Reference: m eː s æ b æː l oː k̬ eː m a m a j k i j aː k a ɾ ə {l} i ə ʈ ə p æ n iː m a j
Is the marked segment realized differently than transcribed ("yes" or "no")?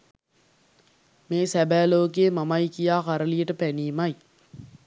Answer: no